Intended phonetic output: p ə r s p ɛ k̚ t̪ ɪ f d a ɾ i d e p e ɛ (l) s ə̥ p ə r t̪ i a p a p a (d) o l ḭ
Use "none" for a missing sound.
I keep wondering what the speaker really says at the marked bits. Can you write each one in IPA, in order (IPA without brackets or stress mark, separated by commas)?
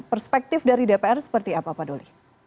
r, d